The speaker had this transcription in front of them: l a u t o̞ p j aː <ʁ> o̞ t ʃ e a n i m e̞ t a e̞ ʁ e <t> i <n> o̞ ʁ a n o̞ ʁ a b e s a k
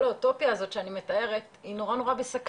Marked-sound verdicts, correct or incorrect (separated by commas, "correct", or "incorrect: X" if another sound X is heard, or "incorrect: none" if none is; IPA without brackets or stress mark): incorrect: z, correct, correct